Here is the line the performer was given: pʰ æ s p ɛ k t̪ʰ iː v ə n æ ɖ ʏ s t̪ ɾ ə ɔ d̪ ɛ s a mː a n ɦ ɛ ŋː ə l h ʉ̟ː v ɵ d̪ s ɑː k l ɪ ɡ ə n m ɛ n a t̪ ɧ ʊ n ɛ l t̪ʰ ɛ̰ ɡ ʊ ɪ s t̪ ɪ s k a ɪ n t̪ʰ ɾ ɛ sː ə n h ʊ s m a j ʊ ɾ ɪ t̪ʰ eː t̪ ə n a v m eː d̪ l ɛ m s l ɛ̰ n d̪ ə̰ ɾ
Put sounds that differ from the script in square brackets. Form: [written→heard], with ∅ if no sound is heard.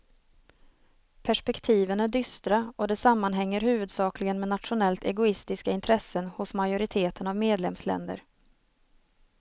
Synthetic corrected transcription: pʰ æ [s→ʂ] p ɛ k t̪ʰ iː v ə n æ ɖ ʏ s t̪ ɾ [ə→a] ɔ d̪ ɛ s a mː a n ɦ ɛ ŋː ə [l→ɾ] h ʉ̟ː v ɵ d̪ s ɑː k l ɪ ɡ ə n m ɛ n a t̪ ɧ ʊ n ɛ l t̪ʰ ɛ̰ ɡ ʊ ɪ s t̪ ɪ s k a ɪ n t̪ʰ ɾ ɛ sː ə n h ʊ s m a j ʊ ɾ ɪ t̪ʰ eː t̪ ə n a v m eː d̪ l ɛ m s l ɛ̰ n d̪ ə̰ ɾ